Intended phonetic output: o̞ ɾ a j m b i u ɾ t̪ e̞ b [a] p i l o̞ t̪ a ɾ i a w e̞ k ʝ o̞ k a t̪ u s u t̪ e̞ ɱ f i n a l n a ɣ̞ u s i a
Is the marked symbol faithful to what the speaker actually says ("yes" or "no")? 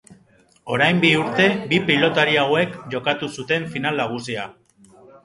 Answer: no